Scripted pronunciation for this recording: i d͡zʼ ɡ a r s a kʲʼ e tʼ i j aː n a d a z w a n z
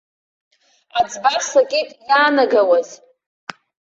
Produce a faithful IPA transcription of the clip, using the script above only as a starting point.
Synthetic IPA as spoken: a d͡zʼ b a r s a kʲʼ e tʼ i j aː n a ɡ a w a z